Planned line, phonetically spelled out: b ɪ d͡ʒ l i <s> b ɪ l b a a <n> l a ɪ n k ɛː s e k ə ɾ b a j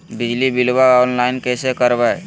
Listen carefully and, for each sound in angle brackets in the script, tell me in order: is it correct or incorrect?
incorrect: none, correct

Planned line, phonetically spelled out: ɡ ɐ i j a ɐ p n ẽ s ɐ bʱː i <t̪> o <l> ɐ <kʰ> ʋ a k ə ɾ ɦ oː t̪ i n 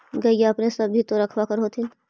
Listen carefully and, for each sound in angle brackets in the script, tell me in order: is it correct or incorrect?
correct, incorrect: ɾ, correct

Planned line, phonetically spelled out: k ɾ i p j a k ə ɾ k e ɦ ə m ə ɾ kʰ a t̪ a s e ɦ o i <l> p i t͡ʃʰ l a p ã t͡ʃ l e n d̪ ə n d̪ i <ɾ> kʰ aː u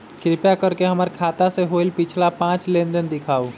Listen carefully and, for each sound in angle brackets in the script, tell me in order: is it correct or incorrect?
correct, incorrect: none

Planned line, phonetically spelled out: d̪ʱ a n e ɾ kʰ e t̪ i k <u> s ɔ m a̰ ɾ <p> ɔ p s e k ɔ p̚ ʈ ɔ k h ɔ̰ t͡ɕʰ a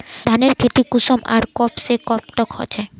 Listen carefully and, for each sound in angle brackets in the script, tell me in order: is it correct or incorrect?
correct, incorrect: k

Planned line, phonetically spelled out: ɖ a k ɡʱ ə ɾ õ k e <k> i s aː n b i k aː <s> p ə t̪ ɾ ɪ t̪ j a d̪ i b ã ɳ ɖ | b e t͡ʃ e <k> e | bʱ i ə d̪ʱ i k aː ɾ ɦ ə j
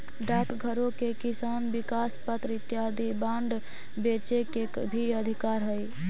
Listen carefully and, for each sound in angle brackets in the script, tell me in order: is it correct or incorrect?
correct, correct, correct

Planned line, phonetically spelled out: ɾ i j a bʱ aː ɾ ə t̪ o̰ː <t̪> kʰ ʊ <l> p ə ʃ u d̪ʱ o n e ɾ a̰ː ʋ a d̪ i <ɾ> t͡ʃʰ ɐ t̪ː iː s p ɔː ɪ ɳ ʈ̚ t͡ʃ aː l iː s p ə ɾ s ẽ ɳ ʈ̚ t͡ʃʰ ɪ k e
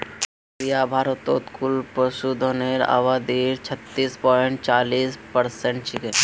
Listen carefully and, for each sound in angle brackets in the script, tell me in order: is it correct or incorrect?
correct, correct, correct

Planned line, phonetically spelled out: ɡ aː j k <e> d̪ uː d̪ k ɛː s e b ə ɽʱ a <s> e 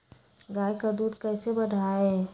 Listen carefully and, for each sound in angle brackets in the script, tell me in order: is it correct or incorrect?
incorrect: a, incorrect: none

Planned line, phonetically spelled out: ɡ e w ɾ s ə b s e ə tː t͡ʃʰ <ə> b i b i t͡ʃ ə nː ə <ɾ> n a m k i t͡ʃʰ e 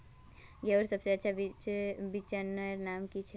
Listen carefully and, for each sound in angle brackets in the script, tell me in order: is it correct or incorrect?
incorrect: a, correct

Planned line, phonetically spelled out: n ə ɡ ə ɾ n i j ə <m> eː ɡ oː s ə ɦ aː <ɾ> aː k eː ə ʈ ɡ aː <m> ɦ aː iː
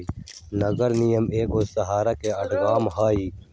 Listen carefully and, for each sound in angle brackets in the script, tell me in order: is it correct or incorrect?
correct, correct, correct

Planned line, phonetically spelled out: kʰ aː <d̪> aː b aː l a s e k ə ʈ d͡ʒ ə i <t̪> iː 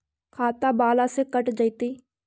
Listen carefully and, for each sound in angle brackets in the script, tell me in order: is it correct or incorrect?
incorrect: t̪, correct

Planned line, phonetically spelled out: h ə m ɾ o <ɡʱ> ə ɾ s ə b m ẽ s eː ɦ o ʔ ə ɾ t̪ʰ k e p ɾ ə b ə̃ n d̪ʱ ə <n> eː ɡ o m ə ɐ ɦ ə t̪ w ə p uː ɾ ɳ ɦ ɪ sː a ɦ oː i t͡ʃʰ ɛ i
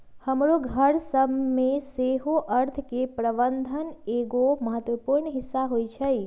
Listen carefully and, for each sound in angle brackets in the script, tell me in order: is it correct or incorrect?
correct, correct

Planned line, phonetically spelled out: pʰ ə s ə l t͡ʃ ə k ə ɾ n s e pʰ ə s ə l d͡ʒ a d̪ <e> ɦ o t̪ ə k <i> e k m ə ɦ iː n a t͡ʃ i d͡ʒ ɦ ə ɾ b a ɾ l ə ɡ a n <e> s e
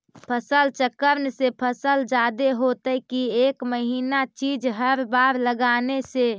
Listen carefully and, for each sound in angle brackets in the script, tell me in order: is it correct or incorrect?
correct, correct, correct

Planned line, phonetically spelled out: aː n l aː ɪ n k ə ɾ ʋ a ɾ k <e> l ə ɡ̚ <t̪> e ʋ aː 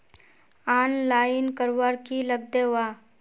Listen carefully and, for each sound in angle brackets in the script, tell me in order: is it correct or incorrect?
incorrect: i, incorrect: d̪

